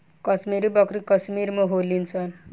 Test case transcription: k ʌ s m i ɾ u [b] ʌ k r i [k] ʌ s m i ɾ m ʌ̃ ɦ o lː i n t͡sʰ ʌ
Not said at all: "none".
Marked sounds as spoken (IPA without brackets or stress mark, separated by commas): b, k